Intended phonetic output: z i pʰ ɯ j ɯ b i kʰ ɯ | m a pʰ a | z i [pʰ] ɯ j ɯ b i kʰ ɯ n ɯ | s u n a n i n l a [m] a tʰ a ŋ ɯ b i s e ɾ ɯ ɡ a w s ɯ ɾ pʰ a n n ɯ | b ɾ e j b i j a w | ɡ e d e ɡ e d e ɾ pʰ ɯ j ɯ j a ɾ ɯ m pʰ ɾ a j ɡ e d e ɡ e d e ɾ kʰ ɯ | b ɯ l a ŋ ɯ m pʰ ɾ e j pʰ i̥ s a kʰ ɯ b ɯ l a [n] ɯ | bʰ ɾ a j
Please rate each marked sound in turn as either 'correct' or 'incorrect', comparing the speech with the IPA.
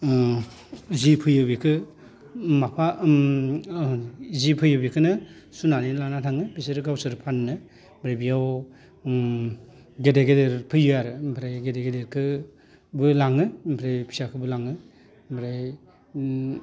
correct, incorrect, incorrect

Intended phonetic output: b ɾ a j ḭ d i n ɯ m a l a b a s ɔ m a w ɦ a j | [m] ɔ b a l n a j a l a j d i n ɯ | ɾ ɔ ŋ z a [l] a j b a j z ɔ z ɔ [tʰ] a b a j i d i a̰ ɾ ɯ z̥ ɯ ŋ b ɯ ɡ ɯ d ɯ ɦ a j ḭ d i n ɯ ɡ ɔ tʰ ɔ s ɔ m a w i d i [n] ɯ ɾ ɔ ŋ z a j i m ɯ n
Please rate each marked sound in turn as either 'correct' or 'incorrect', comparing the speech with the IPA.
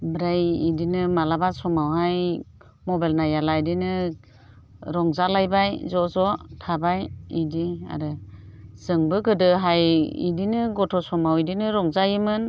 correct, correct, correct, correct

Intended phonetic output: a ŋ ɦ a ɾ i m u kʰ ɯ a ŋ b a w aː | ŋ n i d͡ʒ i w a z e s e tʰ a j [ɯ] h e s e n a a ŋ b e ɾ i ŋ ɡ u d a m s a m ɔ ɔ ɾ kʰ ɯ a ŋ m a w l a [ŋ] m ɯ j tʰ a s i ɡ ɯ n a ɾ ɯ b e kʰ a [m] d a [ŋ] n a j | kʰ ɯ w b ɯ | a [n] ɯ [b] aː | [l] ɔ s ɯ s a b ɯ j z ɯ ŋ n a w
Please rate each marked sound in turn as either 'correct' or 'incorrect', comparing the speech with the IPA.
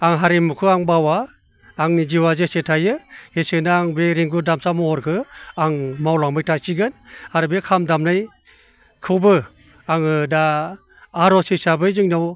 correct, correct, correct, incorrect, incorrect, incorrect, incorrect

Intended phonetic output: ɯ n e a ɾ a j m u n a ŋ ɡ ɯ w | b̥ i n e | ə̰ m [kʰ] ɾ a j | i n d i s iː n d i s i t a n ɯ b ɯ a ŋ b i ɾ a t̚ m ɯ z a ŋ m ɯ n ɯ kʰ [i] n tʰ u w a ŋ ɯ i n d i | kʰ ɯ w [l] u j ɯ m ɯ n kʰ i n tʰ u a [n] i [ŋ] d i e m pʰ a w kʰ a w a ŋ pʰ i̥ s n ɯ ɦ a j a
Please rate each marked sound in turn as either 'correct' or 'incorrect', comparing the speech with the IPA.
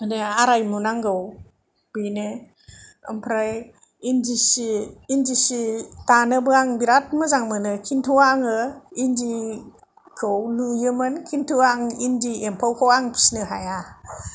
incorrect, correct, correct, incorrect, incorrect

